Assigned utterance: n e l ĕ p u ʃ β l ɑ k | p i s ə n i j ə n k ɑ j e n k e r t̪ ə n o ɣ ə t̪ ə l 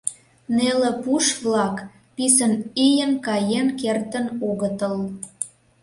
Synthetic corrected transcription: n e l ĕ p u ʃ β l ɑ k | p i s ə n i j ə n k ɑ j e n k e r t̪ ə n o ɣ ə t̪ ə l